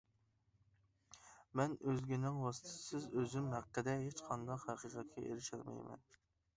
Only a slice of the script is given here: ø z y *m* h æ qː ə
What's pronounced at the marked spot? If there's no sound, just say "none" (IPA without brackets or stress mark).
m